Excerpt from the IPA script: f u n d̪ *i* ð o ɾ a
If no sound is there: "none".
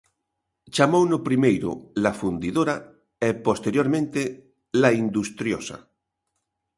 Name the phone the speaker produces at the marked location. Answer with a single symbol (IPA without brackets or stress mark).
i